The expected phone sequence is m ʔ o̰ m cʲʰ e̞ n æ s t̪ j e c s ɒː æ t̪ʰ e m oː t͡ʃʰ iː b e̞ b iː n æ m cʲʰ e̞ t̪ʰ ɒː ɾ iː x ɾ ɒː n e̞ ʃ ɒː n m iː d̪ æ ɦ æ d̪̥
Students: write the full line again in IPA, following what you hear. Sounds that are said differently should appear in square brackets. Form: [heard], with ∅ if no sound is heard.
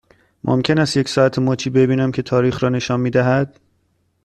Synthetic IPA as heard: m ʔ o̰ m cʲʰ e̞ n æ s t̪ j e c s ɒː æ t̪ʰ e m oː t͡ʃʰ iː b e̞ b iː n æ m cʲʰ e̞ t̪ʰ ɒː ɾ iː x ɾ ɒː n e̞ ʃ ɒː n m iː d̪ æ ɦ æ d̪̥